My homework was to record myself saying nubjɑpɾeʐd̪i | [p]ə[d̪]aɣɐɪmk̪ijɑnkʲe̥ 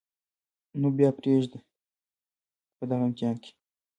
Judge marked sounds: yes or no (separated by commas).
yes, yes